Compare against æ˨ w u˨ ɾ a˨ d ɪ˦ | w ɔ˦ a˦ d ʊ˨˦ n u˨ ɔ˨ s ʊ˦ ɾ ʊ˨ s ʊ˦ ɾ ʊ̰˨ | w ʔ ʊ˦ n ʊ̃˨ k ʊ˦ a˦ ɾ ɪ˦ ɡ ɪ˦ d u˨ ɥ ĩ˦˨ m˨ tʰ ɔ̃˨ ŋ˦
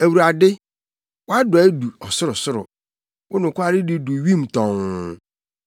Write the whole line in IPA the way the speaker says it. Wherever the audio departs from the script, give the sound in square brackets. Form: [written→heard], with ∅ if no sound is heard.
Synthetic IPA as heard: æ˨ w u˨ ɾ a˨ d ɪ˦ | w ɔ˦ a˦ d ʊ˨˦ [n→d] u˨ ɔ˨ s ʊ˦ ɾ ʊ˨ s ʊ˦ ɾ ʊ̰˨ | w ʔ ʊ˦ n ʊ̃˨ k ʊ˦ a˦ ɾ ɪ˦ [ɡ→d] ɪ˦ d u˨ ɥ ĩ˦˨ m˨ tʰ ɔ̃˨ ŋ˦